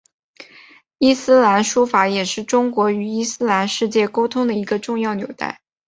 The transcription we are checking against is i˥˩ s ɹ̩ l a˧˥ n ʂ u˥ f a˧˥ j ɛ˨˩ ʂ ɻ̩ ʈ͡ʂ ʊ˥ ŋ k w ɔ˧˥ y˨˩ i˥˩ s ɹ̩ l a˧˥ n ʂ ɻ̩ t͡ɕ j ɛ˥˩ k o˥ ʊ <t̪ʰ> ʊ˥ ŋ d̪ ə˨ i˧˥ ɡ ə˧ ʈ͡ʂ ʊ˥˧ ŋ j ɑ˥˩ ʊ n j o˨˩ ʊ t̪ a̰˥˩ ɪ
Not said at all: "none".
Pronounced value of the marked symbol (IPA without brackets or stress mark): t̪ʰ